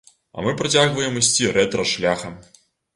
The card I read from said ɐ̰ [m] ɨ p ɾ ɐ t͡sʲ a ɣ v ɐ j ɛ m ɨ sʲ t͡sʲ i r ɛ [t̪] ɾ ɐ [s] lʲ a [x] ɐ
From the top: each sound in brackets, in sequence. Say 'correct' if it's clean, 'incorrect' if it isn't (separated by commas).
correct, correct, incorrect, correct